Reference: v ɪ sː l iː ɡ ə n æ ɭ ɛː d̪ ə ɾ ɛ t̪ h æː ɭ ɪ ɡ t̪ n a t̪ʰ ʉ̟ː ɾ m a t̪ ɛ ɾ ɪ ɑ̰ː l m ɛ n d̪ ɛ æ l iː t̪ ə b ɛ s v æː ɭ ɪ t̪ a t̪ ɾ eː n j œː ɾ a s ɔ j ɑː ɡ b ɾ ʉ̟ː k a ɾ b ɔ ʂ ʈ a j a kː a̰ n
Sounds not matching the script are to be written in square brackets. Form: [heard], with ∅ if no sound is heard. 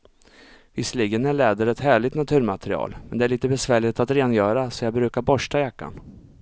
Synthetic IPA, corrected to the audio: v ɪ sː l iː ɡ ə n æ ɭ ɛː d̪ ə ɾ ɛ t̪ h æː ɭ ɪ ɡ t̪ n a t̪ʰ ʉ̟ː ɾ m a t̪ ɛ ɾ ɪ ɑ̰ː l m ɛ n d̪ ɛ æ [ɭ] iː t̪ ə b ɛ s v æː ɭ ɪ t̪ a t̪ ɾ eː n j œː ɾ a s ɔ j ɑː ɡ b ɾ ʉ̟ː k a ɾ b ɔ ʂ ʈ a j a kː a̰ n